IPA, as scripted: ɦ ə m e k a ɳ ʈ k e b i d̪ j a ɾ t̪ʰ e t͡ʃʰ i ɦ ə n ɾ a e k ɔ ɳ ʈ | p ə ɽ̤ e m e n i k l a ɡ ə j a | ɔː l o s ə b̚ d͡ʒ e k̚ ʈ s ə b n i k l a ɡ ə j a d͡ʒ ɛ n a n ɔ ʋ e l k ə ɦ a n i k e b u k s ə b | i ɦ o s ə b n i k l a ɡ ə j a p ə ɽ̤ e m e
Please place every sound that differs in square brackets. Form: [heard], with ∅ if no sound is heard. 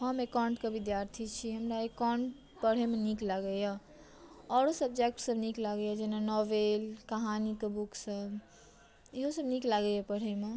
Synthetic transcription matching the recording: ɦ ə m e k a ɳ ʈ k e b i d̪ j a ɾ t̪ʰ [i] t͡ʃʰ i ɦ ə [m] ɾ a e k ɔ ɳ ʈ | p ə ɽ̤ e m e n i k l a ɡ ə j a | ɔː [ɾ] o s ə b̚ d͡ʒ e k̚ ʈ s ə b n i k l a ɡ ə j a d͡ʒ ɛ n a n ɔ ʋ e l k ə ɦ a n i k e b u k s ə b | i ɦ o s ə b n i k l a ɡ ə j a p ə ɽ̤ e m e